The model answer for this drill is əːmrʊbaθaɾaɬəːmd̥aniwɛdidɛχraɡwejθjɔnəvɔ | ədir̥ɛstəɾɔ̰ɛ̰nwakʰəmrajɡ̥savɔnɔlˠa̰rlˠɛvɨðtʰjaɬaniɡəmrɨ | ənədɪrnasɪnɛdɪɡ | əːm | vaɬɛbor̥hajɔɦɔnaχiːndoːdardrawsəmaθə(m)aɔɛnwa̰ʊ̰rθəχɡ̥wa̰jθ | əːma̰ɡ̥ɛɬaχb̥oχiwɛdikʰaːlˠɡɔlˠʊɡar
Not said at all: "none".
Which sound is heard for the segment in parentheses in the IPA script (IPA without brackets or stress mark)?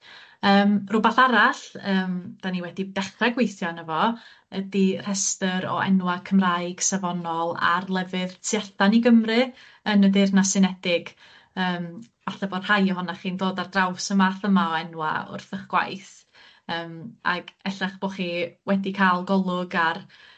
m